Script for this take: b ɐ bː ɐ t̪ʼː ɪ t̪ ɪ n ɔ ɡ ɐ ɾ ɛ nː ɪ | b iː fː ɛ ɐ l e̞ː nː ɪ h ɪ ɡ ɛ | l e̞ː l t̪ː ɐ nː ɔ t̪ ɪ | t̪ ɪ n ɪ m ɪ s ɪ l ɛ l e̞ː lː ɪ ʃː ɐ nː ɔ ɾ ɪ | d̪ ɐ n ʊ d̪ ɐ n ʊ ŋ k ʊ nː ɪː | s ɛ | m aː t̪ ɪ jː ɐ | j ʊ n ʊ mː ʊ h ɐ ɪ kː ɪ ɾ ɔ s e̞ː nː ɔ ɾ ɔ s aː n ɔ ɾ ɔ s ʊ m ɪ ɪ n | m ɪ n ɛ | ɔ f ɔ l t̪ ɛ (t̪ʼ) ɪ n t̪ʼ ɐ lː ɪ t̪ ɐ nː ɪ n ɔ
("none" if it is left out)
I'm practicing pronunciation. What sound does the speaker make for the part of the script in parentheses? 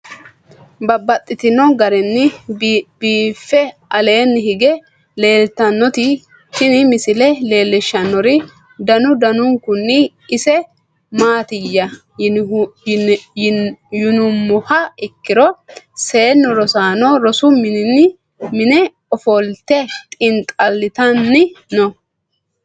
t̪ʼ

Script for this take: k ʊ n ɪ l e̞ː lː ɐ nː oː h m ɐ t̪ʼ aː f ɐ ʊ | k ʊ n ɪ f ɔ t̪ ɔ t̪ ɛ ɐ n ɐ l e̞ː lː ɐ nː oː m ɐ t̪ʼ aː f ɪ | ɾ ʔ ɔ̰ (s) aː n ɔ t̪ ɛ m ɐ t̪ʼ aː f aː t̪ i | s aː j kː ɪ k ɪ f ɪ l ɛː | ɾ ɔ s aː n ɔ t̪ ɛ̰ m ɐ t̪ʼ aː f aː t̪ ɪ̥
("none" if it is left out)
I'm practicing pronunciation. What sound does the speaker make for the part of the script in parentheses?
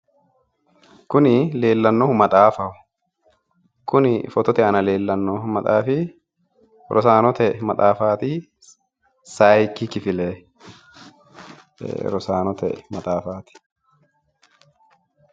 s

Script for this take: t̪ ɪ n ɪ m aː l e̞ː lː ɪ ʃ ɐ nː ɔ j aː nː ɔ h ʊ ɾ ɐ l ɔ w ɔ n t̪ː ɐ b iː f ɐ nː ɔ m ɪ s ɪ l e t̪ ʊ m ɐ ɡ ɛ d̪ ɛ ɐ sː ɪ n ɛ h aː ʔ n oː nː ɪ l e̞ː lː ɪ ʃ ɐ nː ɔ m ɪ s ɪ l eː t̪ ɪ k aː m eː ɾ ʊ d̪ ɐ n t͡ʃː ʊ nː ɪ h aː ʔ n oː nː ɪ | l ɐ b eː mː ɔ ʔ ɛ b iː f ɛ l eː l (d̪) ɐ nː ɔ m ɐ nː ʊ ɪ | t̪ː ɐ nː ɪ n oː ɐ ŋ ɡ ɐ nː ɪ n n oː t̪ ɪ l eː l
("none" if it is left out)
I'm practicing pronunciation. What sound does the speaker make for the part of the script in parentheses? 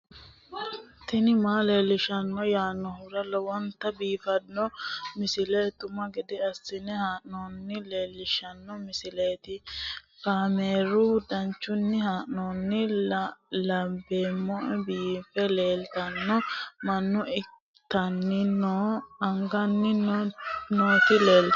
t̪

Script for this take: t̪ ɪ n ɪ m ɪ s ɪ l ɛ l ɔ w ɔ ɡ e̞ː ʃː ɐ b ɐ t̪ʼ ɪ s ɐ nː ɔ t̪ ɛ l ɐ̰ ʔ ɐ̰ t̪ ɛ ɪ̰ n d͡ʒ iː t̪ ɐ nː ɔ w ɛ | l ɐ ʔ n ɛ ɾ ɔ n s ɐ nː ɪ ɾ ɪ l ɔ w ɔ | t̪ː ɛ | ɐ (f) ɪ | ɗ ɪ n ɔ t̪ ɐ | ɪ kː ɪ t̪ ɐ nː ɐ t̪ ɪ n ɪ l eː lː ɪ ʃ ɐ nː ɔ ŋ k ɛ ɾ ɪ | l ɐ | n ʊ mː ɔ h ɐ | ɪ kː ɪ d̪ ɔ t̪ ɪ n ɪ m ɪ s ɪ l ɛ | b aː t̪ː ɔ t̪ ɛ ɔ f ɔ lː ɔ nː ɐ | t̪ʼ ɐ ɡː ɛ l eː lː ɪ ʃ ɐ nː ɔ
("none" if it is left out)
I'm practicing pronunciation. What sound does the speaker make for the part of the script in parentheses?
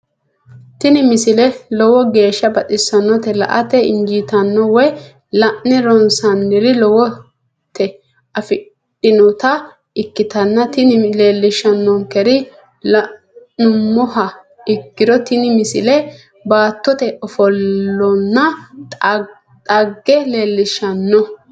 f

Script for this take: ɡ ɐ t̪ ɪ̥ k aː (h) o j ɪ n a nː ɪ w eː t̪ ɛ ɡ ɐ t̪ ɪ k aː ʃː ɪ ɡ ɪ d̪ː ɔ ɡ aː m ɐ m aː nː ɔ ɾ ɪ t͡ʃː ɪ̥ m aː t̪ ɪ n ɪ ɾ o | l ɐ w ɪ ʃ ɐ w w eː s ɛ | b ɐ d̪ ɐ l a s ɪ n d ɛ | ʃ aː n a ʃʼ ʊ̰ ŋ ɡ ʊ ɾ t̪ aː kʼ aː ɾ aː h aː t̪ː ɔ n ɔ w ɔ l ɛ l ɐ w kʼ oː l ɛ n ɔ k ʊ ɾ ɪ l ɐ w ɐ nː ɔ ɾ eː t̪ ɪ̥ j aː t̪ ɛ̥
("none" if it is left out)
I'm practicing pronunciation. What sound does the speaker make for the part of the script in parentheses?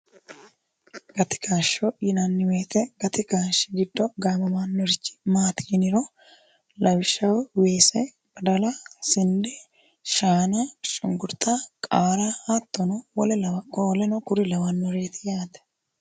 ʃ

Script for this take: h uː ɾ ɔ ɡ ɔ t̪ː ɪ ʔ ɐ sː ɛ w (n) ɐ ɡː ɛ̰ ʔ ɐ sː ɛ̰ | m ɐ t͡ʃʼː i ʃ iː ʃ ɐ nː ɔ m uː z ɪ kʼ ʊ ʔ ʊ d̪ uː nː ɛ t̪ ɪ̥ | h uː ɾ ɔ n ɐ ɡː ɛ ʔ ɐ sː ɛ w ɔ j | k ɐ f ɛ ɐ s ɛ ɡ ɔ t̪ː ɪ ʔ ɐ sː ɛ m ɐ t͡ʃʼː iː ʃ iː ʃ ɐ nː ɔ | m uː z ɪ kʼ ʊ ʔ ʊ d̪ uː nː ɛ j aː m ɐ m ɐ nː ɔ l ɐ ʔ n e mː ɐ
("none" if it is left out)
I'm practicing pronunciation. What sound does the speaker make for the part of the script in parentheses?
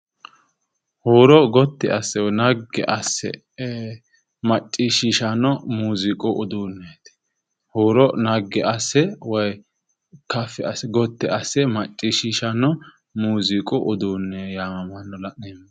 n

